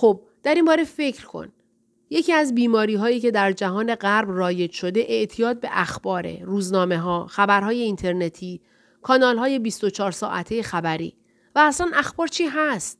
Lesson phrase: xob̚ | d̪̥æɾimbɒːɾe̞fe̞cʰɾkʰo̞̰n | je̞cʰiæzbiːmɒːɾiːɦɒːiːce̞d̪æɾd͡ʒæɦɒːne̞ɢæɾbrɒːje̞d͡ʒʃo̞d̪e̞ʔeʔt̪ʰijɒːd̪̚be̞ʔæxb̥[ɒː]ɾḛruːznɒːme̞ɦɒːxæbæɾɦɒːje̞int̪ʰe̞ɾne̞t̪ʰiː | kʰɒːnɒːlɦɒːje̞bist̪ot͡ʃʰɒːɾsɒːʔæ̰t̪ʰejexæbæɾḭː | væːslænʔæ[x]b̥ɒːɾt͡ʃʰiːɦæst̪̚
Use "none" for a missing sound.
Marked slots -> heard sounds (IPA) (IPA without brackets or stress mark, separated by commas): ɒː, x